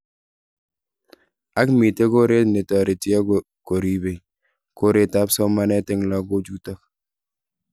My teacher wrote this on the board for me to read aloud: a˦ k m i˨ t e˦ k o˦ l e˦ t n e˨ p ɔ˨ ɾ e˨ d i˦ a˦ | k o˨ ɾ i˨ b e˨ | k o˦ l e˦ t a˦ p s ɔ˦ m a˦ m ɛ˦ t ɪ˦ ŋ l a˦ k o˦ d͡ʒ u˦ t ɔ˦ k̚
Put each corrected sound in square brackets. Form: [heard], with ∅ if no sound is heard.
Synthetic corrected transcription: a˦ k m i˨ t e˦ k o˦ [ɾ] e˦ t n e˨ [t] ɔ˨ ɾ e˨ [t] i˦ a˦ | k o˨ ɾ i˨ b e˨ | k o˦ [ɾ] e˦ t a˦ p s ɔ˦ m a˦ [n] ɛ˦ t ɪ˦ ŋ l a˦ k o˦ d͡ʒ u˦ t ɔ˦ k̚